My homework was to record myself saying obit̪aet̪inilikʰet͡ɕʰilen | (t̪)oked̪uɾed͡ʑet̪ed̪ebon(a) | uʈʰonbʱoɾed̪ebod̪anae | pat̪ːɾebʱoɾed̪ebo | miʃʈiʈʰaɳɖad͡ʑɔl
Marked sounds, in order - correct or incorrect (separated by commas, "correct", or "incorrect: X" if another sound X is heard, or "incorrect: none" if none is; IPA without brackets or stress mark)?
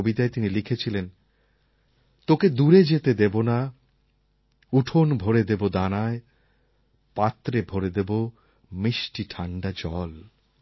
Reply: correct, correct